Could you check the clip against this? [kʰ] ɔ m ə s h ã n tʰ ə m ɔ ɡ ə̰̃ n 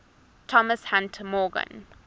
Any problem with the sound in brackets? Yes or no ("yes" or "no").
yes